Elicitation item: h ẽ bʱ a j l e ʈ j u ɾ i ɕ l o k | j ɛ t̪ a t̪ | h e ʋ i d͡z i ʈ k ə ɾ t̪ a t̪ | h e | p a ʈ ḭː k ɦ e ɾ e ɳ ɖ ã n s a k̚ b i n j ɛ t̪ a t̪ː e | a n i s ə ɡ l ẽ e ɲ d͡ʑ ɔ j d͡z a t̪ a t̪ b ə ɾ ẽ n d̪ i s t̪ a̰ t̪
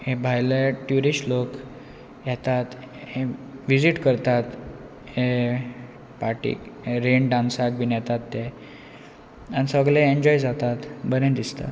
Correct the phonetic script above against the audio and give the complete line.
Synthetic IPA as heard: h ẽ bʱ a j l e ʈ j u ɾ i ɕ l o k | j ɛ t̪ a t̪ | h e ʋ i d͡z i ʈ k ə ɾ t̪ a t̪ | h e | p a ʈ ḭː k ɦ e ɾ e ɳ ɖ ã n s a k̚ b i n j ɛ t̪ a t̪ː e | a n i s ə ɡ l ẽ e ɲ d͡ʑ ɔ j d͡z a t̪ a t̪ b ə ɾ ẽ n d̪ i s t̪ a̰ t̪